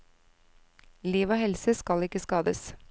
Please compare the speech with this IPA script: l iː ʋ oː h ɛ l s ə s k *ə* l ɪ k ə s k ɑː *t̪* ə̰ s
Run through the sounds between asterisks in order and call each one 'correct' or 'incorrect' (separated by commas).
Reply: incorrect, incorrect